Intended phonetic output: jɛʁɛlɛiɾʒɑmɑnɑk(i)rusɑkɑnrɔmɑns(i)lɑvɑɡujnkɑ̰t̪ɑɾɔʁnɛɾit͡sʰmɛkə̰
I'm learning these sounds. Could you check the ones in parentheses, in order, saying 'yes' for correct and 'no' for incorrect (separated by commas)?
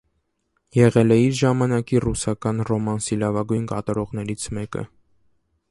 yes, yes